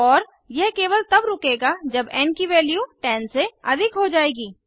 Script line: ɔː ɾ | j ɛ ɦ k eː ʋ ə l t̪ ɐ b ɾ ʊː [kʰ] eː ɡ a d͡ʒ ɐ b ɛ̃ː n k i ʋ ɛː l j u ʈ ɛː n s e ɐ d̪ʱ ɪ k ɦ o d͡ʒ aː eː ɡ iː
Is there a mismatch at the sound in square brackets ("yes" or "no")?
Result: yes